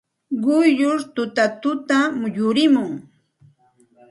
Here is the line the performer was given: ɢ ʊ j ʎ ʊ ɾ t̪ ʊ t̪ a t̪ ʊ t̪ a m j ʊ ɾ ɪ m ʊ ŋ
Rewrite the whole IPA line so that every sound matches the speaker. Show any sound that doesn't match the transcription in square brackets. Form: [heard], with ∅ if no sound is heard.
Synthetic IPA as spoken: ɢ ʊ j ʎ ʊ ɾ t̪ ʊ t̪ a t̪ ʊ t̪ a m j ʊ ɾ ɪ m ʊ ŋ